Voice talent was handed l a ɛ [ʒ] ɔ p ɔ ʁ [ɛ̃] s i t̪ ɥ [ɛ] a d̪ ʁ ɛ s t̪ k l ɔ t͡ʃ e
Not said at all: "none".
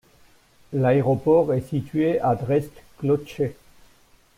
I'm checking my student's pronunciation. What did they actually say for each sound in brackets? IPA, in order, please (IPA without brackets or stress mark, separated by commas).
ʁ, ɛ, e